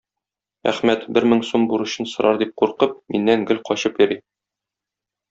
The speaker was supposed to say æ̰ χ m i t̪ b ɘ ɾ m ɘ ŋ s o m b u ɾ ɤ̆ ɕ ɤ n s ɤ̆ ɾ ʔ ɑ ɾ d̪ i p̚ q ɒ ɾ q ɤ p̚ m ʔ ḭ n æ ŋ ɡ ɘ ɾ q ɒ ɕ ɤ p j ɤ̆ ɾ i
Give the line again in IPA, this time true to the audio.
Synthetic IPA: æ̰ χ m æ t̪ b ɘ ɾ m ɘ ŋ s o m b u ɾ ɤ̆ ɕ ɤ n s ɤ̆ ɾ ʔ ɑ ɾ d̪ i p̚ q u ɾ q ɤ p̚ m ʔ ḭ nː æ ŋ ɡ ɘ l q ɒ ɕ ɤ p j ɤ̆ ɾ i